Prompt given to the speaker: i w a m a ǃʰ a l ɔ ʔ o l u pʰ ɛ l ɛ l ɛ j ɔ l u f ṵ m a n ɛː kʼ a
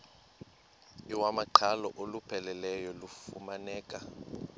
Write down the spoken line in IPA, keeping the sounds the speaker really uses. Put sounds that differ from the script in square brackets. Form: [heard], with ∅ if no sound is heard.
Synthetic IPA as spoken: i w a m a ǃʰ a l ɔ ʔ o l u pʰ ɛ l ɛ l ɛ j ɔ l u f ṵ m a n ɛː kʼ a